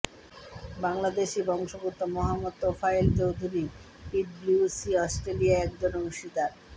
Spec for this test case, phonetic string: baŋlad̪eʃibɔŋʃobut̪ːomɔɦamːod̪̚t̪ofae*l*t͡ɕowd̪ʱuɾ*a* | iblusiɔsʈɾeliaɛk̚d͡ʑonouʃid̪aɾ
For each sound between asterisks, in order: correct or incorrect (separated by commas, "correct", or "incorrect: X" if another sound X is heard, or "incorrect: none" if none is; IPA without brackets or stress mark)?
correct, incorrect: i